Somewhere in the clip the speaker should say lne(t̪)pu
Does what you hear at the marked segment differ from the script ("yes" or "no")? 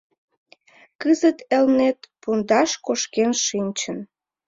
no